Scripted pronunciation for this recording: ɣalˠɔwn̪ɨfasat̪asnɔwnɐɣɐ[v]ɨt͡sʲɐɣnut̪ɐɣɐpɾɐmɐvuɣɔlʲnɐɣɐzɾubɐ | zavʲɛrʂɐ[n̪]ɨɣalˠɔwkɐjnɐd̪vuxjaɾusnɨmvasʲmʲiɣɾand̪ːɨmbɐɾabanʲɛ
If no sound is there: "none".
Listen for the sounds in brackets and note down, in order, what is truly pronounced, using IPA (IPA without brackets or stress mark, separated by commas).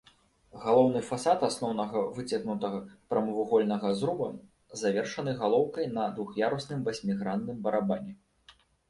v, n̪